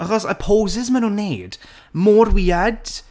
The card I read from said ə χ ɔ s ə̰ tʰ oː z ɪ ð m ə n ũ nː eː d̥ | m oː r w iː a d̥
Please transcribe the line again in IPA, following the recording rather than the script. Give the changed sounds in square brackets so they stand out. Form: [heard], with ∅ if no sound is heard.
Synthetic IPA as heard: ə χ ɔ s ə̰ [pʰ] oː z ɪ [z] m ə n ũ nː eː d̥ | m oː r w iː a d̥